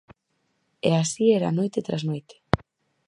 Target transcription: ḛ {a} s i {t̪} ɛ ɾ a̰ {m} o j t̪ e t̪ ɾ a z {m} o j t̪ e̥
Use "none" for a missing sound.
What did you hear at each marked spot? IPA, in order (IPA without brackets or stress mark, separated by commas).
a, none, n, n